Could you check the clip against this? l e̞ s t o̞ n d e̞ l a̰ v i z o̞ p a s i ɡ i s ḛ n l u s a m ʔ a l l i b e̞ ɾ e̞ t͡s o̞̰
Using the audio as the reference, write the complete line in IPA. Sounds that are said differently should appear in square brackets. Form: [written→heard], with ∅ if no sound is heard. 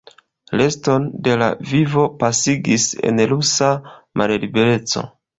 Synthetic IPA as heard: l e̞ s t o̞ n d e̞ l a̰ v i [z→v] o̞ p a s i ɡ i s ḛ n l u s a m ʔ a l l i b e̞ ɾ e̞ t͡s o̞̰